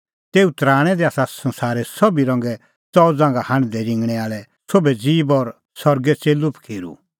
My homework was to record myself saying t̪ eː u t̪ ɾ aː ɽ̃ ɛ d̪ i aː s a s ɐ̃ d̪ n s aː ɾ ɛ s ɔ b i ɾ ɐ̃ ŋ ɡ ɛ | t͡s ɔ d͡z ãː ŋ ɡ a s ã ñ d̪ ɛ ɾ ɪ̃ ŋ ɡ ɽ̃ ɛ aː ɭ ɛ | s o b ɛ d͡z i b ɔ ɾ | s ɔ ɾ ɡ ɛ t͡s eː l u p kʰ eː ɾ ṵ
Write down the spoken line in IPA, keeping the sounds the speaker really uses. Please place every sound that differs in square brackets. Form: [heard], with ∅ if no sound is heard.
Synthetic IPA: t̪ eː u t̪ ɾ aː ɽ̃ ɛ d̪ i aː s a s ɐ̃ [∅] n s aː ɾ ɛ s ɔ b i ɾ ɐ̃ ŋ ɡ ɛ | t͡s ɔ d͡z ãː ŋ ɡ a [h] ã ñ d̪ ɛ ɾ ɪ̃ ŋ ɡ ɽ̃ ɛ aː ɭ ɛ | s o b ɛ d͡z [iː] b ɔ ɾ | s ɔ ɾ ɡ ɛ t͡s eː l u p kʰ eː ɾ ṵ

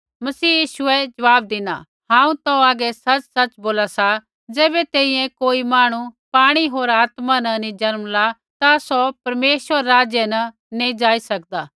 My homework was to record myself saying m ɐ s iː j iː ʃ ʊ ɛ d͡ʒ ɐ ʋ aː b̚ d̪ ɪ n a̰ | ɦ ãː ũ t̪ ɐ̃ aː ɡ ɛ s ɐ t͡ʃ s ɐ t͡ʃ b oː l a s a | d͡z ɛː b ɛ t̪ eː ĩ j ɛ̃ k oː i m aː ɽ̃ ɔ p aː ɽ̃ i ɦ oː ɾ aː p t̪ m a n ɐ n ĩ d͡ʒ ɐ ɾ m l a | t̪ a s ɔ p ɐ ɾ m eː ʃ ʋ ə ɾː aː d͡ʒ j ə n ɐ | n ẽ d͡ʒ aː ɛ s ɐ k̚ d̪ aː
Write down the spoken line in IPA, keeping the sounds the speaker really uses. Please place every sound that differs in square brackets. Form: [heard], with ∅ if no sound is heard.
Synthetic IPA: m ɐ s iː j iː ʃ ʊ ɛ d͡ʒ ɐ ʋ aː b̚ d̪ ɪ n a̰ | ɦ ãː ũ t̪ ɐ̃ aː ɡ ɛ s ɐ t͡ʃ s ɐ t͡ʃ b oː l a s a | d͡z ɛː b ɛ t̪ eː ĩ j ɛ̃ k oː i m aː ɽ̃ [u] p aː ɽ̃ i ɦ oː ɾ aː [∅] t̪ m a n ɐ n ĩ d͡ʒ ɐ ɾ m l a | t̪ a s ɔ p ɐ ɾ m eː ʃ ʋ ə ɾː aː d͡ʒ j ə n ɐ | n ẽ d͡ʒ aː [i] s ɐ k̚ d̪ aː

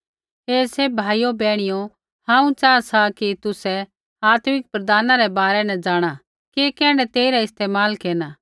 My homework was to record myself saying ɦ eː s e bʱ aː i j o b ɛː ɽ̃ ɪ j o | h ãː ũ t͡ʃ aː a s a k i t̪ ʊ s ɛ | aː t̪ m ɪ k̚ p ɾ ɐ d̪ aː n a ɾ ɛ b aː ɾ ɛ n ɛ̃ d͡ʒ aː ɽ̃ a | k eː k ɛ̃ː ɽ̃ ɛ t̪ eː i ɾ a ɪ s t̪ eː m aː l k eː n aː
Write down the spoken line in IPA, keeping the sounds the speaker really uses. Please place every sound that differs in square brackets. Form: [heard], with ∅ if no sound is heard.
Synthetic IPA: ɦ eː s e bʱ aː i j o b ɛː ɽ̃ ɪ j o | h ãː ũ t͡ʃ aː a s a k i t̪ ʊ s ɛ | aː t̪ m ɪ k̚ p ɾ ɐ d̪ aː n a ɾ ɛ b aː ɾ ɛ n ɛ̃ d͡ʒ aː ɽ̃ a | k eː k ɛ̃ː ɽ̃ ɛ t̪ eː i ɾ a ɪ s t̪ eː m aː l k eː n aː

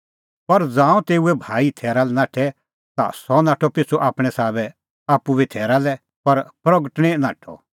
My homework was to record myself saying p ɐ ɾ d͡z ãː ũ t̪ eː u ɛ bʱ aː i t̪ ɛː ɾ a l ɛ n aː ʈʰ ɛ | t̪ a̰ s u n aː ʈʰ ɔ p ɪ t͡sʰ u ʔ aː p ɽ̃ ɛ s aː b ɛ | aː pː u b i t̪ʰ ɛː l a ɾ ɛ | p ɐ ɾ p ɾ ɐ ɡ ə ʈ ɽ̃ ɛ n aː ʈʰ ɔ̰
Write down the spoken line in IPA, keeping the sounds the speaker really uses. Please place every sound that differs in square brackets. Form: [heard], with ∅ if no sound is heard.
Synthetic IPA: p ɐ ɾ d͡z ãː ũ t̪ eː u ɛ bʱ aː i [t̪ʰ] ɛː ɾ a l ɛ n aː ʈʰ ɛ | t̪ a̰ s [ɔ] n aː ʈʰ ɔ p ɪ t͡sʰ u ʔ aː p ɽ̃ ɛ s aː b ɛ | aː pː u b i t̪ʰ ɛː [ɾ] a [l] ɛ | p ɐ ɾ p ɾ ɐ ɡ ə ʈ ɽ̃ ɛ n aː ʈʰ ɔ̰

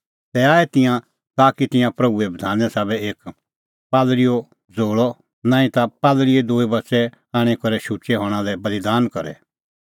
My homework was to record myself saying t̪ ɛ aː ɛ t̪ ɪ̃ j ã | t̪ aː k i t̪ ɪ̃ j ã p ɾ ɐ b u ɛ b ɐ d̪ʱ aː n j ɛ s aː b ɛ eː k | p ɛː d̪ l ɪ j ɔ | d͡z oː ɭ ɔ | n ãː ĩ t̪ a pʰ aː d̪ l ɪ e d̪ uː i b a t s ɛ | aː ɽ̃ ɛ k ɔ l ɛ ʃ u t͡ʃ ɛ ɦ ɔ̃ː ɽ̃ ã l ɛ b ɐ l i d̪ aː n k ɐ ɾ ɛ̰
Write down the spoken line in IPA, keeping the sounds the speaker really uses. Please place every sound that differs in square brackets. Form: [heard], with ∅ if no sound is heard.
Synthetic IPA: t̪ ɛ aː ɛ t̪ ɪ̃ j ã | t̪ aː k i t̪ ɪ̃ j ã p ɾ ɐ b u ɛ b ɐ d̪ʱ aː n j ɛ s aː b ɛ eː k | p [aː] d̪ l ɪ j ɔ | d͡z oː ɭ ɔ | n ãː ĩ t̪ a [p] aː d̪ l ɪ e d̪ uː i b [ɐ] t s ɛ | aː ɽ̃ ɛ k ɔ [ɾ] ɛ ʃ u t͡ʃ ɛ ɦ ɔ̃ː ɽ̃ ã l ɛ b ɐ l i d̪ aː n k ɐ ɾ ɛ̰

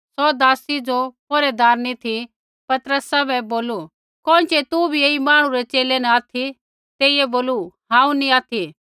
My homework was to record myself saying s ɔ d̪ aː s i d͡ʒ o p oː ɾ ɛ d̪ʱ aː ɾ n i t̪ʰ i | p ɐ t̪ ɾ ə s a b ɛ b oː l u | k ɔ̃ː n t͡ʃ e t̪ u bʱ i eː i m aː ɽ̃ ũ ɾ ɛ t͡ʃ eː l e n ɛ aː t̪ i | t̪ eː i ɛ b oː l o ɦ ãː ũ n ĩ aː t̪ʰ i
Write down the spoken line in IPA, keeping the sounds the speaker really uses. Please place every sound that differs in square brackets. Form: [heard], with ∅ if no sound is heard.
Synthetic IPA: s ɔ d̪ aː s i d͡ʒ o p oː ɾ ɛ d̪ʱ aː ɾ n i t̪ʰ i | p ɐ t̪ ɾ ə s a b ɛ b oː l u | k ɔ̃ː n t͡ʃ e t̪ u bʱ i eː i m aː ɽ̃ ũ ɾ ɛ t͡ʃ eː l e n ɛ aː [t̪ʰ] i | t̪ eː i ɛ b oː l [u] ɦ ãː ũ n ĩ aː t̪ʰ i

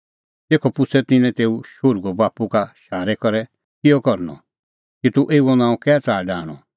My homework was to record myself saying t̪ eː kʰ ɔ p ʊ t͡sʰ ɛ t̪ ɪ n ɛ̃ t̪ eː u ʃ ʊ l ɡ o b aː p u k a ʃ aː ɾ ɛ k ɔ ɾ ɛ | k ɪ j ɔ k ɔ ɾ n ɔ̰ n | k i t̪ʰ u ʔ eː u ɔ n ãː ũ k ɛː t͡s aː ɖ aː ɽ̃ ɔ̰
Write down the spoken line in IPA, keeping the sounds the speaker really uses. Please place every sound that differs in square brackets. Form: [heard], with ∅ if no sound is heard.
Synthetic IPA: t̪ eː kʰ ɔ p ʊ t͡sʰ ɛ t̪ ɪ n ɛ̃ t̪ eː u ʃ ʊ [ɾ] ɡ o b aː p u k a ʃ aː ɾ ɛ k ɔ ɾ ɛ | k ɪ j ɔ k ɔ ɾ n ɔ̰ [∅] | k i [t̪] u ʔ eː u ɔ n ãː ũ k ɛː t͡s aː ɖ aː ɽ̃ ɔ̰

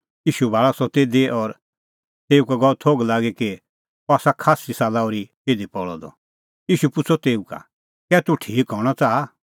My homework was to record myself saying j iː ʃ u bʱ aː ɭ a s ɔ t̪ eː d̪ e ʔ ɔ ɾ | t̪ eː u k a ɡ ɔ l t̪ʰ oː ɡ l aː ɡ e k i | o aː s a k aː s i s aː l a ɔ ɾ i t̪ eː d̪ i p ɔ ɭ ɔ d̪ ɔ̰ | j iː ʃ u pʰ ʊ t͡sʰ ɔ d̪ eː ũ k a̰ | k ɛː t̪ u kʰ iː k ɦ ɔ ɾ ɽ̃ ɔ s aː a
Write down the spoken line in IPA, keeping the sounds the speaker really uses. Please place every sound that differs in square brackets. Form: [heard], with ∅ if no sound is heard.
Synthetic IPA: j iː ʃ u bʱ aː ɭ a s ɔ t̪ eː d̪ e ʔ ɔ ɾ | t̪ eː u k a ɡ ɔ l t̪ʰ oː ɡ l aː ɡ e k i | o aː s a [kʰ] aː s i s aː l a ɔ ɾ i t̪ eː d̪ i p ɔ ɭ ɔ d̪ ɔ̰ | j iː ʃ u [p] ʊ t͡sʰ ɔ [t̪] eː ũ k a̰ | k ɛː t̪ u [ʈʰ] iː k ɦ ɔ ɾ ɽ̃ ɔ [t͡s] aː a

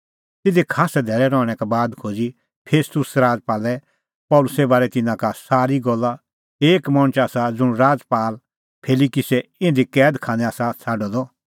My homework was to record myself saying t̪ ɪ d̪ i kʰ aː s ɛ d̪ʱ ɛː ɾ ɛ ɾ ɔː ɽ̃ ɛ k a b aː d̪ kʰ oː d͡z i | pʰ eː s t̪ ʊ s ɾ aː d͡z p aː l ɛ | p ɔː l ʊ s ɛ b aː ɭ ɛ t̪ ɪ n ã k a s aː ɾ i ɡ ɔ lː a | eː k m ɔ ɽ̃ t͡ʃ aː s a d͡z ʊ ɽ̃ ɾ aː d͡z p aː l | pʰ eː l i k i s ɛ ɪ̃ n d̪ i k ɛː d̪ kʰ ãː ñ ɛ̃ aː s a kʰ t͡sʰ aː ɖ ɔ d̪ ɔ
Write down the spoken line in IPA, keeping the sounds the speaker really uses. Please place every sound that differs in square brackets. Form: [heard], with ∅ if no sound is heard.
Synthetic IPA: t̪ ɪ d̪ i kʰ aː s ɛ d̪ʱ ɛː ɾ ɛ ɾ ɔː ɽ̃ ɛ k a b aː d̪ kʰ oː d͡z i | pʰ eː s t̪ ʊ s ɾ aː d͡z p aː l ɛ | p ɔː l ʊ s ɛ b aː [ɾ] ɛ t̪ ɪ n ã k a s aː ɾ i ɡ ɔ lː a | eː k m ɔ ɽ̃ t͡ʃ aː s a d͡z ʊ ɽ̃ ɾ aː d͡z p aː l | pʰ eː l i k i s ɛ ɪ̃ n d̪ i k ɛː d̪ kʰ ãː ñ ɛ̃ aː s a [∅] t͡sʰ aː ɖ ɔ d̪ ɔ

